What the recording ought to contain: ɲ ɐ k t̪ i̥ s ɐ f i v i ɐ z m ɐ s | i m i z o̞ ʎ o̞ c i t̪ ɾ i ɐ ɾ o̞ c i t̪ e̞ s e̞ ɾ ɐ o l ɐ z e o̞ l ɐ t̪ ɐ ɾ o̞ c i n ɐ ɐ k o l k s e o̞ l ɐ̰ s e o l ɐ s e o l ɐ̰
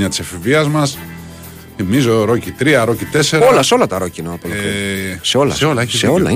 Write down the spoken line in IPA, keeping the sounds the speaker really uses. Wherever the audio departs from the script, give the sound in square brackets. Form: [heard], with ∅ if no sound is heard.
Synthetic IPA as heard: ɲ ɐ [∅] t̪ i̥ s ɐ f i v i ɐ z m ɐ s | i m i z o̞ [ɾ] o̞ c i t̪ ɾ i ɐ ɾ o̞ c i t̪ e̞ s e̞ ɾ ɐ o l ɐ [s] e o̞ l ɐ t̪ ɐ ɾ o̞ c i n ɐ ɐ [p] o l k s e o̞ l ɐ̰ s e o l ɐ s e o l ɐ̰